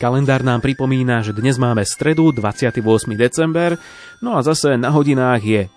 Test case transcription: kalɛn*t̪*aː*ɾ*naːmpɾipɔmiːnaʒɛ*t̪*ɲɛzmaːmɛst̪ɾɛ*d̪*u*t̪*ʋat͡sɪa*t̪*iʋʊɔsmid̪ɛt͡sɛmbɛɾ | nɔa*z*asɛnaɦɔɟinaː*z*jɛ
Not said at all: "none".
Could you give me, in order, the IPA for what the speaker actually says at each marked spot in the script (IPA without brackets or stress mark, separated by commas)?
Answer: d̪, ɾ, d̪, d̪, d̪, t̪, z, ɣ